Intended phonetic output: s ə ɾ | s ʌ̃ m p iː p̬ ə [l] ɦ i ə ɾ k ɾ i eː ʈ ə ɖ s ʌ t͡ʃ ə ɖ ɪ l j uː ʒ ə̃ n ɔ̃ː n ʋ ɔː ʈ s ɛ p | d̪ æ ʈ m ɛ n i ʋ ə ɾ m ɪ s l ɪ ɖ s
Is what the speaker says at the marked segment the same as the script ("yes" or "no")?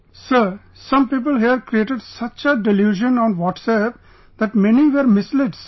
yes